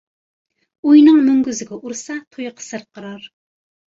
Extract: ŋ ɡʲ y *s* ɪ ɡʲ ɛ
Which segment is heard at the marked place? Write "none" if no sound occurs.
z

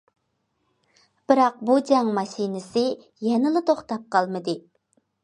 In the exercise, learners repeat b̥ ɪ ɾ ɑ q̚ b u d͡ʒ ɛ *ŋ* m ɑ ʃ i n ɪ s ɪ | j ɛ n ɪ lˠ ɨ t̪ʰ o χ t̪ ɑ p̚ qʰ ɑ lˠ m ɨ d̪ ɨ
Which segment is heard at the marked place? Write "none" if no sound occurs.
ŋ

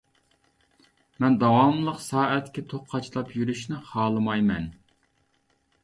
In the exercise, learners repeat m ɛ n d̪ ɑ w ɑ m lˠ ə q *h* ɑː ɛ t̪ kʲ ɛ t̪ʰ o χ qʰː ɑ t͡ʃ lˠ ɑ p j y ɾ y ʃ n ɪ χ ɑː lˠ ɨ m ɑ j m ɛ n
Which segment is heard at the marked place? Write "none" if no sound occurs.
s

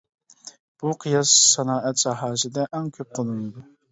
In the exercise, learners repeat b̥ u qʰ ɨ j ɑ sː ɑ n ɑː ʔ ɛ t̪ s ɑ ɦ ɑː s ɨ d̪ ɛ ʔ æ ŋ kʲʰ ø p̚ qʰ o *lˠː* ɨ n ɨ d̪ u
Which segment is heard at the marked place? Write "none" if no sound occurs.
lˠ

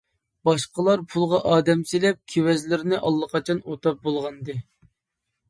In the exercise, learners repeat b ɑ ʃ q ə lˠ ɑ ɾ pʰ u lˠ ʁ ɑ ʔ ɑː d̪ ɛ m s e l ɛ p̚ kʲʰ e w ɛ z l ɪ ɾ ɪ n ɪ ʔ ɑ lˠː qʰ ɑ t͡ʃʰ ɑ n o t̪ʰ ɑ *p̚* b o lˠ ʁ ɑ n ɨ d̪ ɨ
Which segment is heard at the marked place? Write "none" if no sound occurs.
p̚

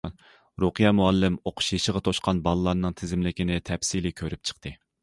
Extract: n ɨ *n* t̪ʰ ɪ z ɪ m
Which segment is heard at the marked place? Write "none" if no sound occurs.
ŋ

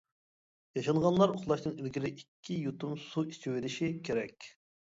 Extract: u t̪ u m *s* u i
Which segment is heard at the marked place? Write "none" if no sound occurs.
s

